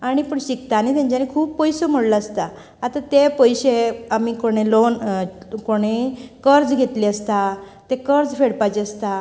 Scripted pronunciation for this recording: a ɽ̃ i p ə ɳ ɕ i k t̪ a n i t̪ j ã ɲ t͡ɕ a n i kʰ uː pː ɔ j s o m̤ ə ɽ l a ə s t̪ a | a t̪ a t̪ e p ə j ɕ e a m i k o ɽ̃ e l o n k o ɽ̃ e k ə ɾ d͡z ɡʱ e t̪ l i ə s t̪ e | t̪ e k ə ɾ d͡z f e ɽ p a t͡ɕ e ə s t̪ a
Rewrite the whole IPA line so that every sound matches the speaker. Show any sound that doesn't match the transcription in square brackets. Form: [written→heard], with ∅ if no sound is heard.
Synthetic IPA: a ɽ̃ i p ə ɳ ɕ i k t̪ a n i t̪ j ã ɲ t͡ɕ a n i kʰ uː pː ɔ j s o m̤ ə ɽ l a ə s t̪ a | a t̪ a t̪ e p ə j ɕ e a m i k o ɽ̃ e l o n k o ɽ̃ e k ə ɾ d͡z ɡʱ e t̪ l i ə s t̪ [e→a] | t̪ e k ə ɾ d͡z f e ɽ p a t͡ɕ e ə s t̪ a